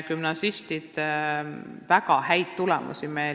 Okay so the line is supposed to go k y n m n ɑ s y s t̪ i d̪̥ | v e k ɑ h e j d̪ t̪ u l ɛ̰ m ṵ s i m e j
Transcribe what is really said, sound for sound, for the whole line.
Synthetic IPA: k y m n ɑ s i s t̪ i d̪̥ | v æ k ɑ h æ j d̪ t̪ u l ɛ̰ m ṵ s i m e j